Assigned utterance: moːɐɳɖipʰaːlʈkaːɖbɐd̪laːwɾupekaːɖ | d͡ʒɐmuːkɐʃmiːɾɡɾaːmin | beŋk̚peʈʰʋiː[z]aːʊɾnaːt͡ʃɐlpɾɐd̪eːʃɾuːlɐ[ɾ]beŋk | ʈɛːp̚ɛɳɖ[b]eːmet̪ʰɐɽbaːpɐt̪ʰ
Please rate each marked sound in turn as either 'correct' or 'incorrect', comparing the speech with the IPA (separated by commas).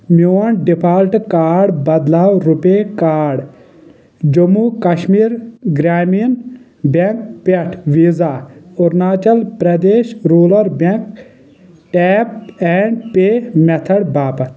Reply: correct, correct, incorrect